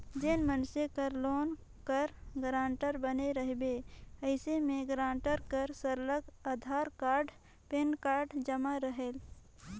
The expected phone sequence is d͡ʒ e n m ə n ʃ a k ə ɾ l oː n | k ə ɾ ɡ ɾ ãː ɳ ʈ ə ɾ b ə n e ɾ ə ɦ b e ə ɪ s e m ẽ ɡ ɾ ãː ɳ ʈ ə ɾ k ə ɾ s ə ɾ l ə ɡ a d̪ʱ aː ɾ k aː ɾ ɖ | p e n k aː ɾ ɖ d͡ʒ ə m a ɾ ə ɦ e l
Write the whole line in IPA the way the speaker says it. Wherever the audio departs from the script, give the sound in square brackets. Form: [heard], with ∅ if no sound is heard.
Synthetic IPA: d͡ʒ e n m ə n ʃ [e] k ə ɾ l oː n | k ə ɾ ɡ ɾ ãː ɳ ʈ ə ɾ b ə n e ɾ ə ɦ b e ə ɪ s e m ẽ ɡ ɾ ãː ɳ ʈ ə ɾ k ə ɾ s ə ɾ l ə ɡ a d̪ʱ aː ɾ k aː ɾ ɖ | p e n k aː ɾ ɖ d͡ʒ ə m a ɾ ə ɦ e l